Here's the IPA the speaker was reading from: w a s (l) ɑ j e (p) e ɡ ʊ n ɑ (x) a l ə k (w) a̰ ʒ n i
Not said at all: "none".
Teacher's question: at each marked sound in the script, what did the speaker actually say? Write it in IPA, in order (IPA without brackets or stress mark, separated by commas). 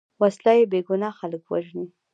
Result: l, b, x, w